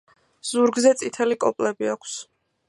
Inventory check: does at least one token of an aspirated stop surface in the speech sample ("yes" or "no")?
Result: yes